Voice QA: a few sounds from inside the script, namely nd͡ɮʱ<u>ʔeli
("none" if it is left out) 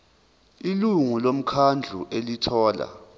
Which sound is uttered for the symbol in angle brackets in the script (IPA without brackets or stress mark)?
u